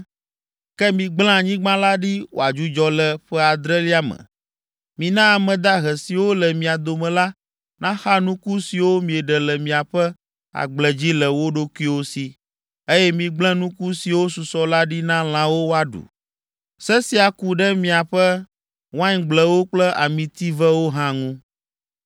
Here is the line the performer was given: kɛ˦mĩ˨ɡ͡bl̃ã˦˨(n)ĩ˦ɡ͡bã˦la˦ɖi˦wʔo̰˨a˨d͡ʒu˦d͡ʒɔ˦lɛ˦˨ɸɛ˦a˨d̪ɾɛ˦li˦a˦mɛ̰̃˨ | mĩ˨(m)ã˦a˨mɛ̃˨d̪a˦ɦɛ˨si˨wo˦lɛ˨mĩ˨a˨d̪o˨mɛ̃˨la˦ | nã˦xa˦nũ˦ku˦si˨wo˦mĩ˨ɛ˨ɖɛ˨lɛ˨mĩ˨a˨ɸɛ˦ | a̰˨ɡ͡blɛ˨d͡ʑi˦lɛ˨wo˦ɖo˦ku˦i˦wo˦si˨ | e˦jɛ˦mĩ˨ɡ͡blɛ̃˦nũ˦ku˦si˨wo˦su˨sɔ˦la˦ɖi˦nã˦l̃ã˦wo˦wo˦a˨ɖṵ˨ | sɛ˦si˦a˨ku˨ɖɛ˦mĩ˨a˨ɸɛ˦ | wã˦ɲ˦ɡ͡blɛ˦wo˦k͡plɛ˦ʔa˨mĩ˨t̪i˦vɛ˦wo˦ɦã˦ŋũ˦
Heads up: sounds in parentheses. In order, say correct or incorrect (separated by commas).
incorrect, incorrect